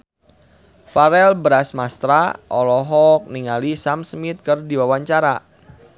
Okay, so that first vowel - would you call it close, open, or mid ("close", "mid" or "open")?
open